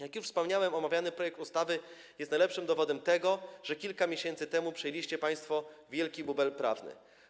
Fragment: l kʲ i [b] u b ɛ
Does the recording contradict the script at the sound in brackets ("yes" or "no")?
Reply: no